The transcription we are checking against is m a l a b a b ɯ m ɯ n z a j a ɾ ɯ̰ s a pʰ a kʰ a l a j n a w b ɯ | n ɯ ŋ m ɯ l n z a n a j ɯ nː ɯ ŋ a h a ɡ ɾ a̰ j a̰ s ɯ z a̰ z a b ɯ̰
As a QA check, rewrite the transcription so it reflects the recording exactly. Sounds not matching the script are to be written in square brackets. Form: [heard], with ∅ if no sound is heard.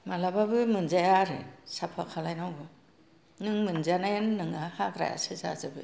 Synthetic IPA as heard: m a l a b a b ɯ m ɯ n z a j a ɾ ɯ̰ s a pʰ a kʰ a l a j n a w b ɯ | n ɯ ŋ m ɯ [∅] n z a n a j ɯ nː ɯ ŋ a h a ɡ ɾ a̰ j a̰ s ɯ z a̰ z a b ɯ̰